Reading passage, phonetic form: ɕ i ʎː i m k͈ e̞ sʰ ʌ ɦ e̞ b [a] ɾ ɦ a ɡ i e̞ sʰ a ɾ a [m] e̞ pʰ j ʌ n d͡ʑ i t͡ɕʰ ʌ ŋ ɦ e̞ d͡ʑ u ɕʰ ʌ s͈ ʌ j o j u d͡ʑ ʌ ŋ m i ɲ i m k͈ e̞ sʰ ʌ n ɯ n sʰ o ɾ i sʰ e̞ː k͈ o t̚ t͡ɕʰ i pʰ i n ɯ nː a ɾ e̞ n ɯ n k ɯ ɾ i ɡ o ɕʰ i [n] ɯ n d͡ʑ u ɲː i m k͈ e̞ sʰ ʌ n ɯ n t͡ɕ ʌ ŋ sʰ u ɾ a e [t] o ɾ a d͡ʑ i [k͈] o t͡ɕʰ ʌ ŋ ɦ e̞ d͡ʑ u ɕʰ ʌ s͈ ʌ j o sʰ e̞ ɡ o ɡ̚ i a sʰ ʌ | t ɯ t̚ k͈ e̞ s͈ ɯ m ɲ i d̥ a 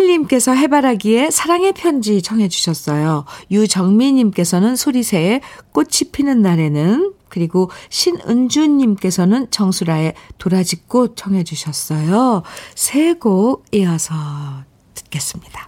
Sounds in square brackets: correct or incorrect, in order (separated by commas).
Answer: correct, incorrect, correct, correct, correct